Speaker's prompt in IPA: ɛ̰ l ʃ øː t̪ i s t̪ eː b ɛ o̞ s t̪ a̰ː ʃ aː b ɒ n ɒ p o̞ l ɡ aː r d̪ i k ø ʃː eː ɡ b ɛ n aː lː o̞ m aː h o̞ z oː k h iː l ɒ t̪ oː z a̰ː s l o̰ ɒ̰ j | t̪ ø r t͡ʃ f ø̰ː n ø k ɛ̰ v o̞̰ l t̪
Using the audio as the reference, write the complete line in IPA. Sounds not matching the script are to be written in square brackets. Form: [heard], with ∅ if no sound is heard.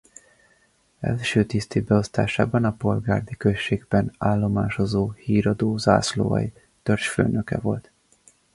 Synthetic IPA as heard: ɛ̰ l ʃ øː t̪ i s t̪ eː b ɛ o̞ s t̪ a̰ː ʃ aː b ɒ n ɒ p o̞ l ɡ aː r d̪ i k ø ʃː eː ɡ b ɛ n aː lː o̞ m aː [ʃ] o̞ z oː [∅] h iː [ɾ] ɒ [d̪] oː z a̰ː s l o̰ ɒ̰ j | t̪ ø r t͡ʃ f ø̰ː n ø k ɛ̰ v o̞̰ l t̪